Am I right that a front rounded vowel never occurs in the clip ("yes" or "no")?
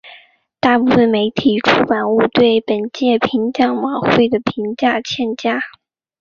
yes